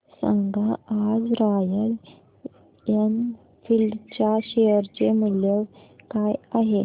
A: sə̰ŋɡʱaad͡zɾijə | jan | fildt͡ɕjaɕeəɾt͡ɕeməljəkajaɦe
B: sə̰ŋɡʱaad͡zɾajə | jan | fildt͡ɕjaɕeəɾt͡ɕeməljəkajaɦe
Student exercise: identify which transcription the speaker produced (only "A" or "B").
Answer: B